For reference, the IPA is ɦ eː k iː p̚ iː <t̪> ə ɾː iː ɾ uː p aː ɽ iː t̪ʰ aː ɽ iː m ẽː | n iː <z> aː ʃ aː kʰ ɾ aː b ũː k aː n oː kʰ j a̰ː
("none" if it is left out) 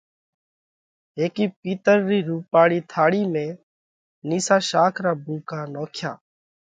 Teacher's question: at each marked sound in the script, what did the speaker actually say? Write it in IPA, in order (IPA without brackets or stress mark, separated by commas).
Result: t̪, s